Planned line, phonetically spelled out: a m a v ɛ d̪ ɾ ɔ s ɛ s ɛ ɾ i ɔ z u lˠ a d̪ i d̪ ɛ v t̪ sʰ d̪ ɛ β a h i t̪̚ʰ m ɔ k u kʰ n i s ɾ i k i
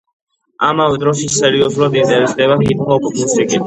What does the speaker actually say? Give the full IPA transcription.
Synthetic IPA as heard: a m a v ɛ d̪ ɾ ɔ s i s ɛ ɾ i ɔ z u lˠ a d̪ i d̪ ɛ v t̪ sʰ d̪ ɛ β a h i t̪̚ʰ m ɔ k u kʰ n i s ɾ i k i